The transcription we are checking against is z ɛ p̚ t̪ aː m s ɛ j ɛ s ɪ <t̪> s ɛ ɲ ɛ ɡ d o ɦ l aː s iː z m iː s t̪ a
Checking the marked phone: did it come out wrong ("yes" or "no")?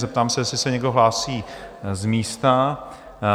yes